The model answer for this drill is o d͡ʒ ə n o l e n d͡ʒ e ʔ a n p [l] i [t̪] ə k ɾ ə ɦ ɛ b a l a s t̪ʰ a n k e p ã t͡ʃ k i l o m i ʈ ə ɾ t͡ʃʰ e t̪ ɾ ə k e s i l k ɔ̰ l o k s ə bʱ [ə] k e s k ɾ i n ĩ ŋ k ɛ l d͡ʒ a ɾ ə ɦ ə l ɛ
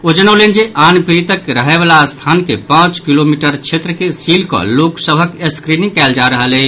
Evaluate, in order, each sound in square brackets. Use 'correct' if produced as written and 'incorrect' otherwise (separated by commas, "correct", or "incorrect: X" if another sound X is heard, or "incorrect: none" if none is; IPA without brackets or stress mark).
incorrect: ɾ, correct, correct